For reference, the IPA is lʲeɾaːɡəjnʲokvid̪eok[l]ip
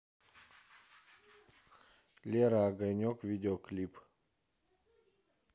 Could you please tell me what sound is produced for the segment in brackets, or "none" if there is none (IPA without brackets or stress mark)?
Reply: l